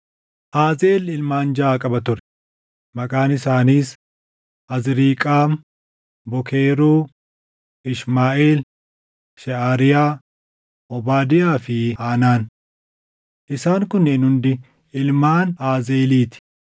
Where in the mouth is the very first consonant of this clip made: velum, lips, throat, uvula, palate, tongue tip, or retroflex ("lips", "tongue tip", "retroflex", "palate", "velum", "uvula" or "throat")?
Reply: throat